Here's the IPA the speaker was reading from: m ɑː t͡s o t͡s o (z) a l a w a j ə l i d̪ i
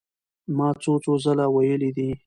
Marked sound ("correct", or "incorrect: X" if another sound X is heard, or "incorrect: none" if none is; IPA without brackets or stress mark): correct